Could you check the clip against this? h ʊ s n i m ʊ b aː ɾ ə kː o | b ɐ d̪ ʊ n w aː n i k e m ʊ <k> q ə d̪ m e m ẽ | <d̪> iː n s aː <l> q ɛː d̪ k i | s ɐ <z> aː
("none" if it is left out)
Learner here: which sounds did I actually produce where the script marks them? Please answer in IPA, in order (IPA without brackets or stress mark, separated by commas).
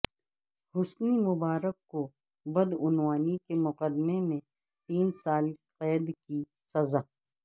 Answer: none, t̪, l, z